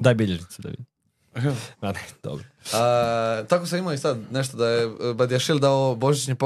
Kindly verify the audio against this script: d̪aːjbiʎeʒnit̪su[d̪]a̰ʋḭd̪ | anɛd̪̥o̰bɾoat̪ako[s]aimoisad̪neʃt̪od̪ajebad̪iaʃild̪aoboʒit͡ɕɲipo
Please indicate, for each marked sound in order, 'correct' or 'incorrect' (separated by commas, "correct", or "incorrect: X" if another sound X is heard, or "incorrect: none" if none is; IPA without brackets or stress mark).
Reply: correct, correct